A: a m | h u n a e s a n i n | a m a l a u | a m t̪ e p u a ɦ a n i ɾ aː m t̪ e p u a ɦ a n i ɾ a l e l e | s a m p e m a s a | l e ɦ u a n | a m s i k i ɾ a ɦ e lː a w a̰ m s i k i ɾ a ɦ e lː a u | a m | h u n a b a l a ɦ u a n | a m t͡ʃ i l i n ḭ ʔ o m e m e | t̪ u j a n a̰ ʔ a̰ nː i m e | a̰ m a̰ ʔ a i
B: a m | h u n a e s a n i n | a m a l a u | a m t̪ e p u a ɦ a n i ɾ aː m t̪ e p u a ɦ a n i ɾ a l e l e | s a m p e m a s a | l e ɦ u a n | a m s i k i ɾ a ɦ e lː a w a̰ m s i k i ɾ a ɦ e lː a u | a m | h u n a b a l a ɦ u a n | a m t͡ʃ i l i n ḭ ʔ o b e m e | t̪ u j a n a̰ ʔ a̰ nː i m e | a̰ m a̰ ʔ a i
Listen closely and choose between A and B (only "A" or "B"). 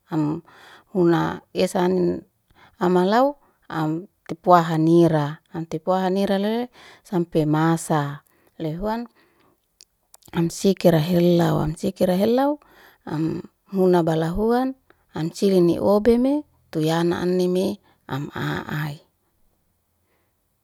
B